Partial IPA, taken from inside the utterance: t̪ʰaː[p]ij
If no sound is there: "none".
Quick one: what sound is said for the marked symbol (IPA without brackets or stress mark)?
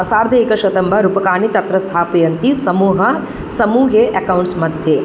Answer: p